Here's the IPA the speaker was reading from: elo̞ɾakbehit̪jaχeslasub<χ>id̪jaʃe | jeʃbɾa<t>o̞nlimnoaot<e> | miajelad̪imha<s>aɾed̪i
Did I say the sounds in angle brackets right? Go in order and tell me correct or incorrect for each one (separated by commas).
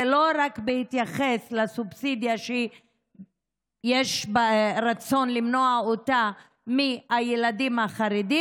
incorrect, incorrect, incorrect, incorrect